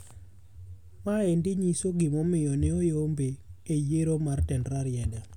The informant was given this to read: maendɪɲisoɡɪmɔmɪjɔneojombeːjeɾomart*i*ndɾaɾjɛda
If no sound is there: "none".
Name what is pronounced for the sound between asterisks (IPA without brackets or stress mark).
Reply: ɛ